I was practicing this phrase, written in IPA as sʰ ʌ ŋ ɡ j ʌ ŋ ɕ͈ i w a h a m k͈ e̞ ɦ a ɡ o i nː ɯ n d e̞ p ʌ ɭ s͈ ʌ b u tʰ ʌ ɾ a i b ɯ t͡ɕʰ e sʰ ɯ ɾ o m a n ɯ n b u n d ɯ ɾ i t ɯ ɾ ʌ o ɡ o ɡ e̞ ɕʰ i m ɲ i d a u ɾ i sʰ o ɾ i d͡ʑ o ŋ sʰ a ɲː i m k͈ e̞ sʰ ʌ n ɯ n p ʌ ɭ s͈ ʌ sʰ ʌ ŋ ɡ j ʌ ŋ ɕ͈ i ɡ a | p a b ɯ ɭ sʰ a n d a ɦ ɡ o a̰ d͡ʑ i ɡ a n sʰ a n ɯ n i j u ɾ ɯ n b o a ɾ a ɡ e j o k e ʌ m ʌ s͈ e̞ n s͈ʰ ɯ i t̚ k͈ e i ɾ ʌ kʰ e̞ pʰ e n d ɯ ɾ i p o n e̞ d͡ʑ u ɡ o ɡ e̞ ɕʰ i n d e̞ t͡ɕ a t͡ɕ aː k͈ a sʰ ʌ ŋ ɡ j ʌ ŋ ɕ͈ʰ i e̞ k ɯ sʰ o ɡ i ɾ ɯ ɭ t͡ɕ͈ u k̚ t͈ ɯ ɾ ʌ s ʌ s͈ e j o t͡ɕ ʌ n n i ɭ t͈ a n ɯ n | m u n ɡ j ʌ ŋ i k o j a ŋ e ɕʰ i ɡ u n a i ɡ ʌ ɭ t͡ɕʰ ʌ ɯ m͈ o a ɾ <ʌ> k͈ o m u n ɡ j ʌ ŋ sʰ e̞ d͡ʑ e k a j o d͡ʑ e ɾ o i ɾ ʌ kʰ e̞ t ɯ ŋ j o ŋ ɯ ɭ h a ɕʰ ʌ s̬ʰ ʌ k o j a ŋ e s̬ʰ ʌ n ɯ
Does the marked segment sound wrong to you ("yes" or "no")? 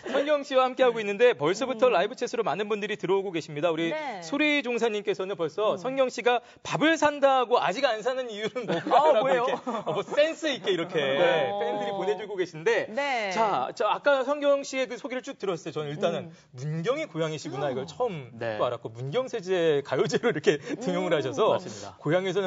yes